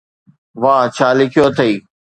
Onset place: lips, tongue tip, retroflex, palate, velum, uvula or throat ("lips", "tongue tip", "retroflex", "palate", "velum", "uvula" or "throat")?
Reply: lips